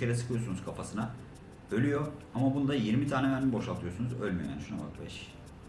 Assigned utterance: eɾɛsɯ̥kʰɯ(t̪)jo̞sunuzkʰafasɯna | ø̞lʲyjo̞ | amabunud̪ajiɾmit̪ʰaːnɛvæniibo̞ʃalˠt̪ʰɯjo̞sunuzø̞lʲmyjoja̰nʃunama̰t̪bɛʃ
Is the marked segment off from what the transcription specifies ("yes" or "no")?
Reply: yes